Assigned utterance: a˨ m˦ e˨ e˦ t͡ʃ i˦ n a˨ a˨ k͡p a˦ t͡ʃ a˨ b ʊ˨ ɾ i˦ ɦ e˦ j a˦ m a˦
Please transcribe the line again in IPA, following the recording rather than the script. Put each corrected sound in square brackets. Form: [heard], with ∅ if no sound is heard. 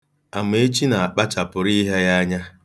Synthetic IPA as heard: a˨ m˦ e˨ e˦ t͡ʃ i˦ n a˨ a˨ k͡p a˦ t͡ʃ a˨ [p] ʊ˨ ɾ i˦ ɦ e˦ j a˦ [ɲ] a˦